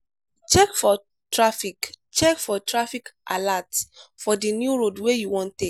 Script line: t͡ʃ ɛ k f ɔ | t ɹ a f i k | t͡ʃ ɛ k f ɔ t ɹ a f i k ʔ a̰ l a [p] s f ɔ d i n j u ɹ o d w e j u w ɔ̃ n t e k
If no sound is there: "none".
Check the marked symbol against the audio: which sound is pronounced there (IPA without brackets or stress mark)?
t